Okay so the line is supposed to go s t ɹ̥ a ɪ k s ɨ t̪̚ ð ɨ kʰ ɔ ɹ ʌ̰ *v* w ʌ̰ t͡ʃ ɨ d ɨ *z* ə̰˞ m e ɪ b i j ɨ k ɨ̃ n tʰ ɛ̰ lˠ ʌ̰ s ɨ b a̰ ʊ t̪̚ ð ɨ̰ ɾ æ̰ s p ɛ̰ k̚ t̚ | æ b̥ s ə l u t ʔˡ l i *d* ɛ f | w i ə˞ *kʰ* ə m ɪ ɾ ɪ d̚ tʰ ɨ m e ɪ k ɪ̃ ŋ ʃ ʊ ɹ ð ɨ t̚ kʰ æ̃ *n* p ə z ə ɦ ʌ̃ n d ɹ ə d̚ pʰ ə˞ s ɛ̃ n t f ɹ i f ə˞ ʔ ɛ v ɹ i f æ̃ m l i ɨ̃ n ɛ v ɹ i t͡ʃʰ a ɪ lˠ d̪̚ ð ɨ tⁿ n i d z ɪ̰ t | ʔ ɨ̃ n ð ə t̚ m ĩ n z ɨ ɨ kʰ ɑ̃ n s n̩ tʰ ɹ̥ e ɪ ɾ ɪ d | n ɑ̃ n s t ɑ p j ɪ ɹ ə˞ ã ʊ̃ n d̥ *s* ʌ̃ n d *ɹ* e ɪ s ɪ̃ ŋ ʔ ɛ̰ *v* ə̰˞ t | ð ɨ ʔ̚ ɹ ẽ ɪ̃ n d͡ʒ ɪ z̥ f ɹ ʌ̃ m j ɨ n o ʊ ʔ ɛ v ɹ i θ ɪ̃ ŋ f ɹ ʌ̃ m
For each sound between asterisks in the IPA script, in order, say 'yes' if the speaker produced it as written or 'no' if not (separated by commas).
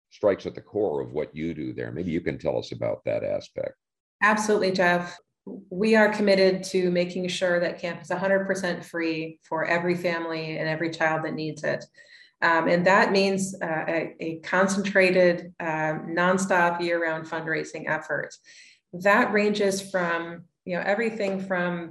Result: yes, no, no, yes, no, no, yes, no